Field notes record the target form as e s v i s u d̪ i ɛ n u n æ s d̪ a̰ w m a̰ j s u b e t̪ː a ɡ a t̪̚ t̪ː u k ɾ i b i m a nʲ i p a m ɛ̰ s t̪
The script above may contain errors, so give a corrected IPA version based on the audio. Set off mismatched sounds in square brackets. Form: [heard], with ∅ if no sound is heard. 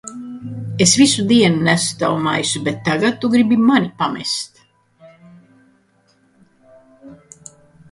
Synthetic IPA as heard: e s v i s u d̪ i ɛ n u n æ s [t̪] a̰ w m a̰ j s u b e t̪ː a ɡ a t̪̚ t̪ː u [ɡ] ɾ i b i m a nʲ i p a m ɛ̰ s t̪